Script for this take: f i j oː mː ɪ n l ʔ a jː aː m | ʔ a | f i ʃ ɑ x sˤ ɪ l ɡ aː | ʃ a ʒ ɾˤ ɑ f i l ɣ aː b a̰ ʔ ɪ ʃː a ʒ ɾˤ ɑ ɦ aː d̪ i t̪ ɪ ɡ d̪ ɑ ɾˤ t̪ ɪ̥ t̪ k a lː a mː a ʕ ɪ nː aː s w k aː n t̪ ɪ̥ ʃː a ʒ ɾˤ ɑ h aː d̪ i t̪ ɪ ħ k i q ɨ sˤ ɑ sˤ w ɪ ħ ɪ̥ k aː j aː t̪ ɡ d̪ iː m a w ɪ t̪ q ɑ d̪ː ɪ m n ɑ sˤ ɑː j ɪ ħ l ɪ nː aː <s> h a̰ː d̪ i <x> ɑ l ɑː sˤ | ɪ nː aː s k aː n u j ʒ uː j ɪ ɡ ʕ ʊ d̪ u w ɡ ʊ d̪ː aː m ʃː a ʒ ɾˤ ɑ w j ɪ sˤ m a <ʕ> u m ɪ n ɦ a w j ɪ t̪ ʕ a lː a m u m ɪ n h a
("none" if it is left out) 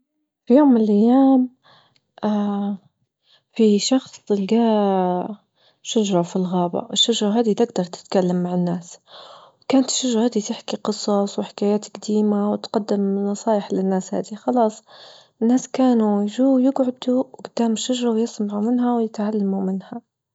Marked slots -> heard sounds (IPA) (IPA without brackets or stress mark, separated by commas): s, x, ʕ